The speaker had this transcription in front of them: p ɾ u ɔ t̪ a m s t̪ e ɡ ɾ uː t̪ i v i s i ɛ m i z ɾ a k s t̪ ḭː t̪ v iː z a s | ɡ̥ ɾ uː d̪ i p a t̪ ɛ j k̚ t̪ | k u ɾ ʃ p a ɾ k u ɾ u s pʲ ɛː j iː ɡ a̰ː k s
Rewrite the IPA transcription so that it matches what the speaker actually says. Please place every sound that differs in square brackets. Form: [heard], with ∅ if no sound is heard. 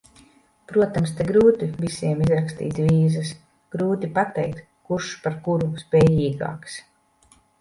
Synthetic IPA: p ɾ u ɔ t̪ a m s t̪ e ɡ ɾ uː t̪ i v i s i ɛ m i z ɾ a k s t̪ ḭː t̪ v iː z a s | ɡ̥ ɾ uː [t̪] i p a t̪ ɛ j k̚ t̪ | k u ɾ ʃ p a ɾ k u ɾ u s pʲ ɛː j iː ɡ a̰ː k s